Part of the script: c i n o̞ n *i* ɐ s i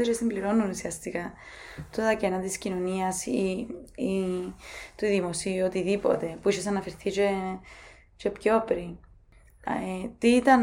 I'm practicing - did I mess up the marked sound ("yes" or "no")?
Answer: no